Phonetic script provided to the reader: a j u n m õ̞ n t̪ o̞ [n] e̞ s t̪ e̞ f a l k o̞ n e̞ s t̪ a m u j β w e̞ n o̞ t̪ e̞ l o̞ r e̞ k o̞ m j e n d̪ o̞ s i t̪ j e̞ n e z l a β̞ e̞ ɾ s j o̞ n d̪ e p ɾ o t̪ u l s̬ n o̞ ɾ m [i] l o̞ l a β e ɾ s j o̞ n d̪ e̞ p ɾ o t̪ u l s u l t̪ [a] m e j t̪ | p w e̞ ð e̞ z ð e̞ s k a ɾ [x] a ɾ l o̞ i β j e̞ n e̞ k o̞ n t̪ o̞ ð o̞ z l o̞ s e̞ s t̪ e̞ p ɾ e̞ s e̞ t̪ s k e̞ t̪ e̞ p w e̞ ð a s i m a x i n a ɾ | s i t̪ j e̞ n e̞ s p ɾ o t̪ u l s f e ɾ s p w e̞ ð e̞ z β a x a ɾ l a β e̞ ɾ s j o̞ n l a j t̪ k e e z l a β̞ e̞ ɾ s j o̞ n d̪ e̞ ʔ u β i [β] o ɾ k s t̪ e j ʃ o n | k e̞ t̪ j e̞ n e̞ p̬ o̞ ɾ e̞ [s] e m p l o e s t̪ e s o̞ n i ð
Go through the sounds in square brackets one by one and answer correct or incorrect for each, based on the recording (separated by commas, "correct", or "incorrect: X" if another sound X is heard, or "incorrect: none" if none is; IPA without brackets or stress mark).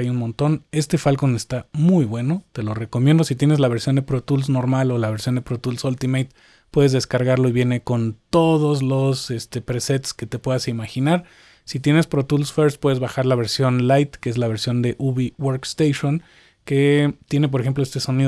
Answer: correct, incorrect: a, incorrect: i, incorrect: ɣ, incorrect: w, incorrect: x